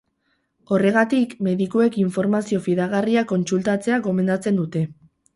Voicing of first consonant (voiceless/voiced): voiced